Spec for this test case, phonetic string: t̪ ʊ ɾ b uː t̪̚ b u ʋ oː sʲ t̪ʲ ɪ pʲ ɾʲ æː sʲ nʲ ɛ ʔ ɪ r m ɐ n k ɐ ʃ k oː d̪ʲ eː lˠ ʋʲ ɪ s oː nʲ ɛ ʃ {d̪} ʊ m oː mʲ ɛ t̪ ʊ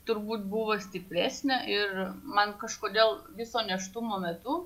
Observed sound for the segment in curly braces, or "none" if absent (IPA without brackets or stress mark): t̪